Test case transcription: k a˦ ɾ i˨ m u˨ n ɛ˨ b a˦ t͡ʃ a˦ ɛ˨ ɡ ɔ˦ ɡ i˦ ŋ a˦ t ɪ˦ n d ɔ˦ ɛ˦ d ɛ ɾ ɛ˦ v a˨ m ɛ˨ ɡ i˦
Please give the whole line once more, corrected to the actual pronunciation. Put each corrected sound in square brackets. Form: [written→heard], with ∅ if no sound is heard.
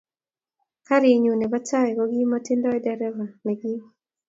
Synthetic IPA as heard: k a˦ ɾ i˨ [m→ɲ] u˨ n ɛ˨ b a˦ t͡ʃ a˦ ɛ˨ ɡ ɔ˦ ɡ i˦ [ŋ→m] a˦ t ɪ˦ n d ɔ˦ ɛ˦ d ɛ ɾ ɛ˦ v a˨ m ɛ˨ ɡ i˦